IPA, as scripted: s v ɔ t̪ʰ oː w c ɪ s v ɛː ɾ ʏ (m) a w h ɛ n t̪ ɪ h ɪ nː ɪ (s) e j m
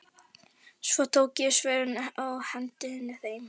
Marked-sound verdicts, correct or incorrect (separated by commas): incorrect, incorrect